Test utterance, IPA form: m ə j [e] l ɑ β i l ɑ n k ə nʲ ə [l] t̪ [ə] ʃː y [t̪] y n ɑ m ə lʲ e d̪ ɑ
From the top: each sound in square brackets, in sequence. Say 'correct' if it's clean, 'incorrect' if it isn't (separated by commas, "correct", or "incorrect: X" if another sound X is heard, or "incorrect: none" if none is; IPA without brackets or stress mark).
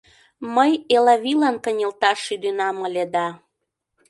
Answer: correct, correct, incorrect: ɑ, incorrect: d̪